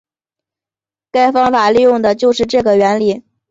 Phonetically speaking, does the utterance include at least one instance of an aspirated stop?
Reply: no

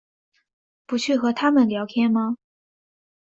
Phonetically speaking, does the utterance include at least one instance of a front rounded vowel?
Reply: yes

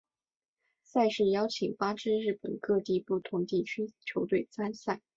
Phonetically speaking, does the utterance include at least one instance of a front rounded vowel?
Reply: yes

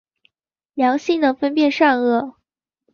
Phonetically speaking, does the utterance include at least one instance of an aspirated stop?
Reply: no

